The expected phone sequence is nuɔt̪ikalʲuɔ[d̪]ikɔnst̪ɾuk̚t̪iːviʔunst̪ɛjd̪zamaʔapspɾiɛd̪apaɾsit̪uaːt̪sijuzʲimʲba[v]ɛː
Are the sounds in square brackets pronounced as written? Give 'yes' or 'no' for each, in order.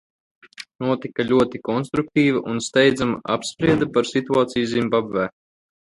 no, no

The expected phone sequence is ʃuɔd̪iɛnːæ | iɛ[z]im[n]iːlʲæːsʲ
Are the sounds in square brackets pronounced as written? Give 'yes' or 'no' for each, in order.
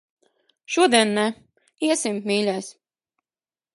no, no

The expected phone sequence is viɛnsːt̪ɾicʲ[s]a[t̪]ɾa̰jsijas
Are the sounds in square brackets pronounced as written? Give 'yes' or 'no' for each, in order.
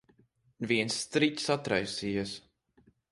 yes, yes

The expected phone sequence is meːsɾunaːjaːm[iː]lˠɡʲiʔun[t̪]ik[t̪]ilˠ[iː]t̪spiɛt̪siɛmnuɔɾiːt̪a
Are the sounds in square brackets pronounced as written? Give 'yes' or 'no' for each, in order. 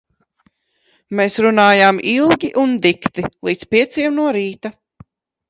no, no, yes, yes

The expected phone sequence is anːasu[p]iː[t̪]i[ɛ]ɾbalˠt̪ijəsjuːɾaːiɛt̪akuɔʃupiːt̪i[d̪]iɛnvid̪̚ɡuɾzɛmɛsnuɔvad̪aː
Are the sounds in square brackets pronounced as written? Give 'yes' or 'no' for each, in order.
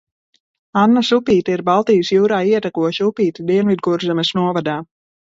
yes, yes, no, yes

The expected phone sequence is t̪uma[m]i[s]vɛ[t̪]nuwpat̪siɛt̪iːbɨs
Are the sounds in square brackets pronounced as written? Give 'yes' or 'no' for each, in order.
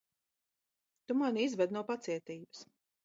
no, no, no

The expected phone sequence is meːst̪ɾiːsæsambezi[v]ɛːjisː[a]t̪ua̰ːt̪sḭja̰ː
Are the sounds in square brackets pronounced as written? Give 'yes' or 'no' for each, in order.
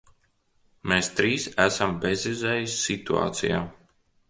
no, no

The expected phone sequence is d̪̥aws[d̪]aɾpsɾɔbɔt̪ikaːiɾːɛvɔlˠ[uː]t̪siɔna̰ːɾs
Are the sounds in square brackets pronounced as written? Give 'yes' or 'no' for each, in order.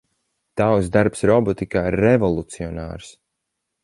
yes, no

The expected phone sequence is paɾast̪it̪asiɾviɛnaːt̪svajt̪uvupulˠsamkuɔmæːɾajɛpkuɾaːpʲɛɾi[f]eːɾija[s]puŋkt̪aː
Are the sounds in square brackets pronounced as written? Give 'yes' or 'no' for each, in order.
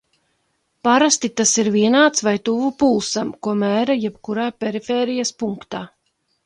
yes, yes

